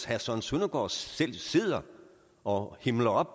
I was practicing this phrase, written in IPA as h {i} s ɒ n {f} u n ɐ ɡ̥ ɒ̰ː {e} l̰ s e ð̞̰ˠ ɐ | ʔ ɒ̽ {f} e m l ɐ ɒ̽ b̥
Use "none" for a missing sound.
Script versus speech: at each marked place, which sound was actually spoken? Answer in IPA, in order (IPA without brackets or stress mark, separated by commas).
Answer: æ, s, e, h